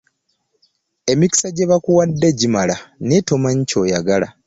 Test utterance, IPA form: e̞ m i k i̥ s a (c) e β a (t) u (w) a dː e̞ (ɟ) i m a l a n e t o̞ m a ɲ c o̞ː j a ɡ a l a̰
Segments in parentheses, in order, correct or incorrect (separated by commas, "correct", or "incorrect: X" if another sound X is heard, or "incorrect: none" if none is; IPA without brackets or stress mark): incorrect: ɟ, incorrect: k, correct, correct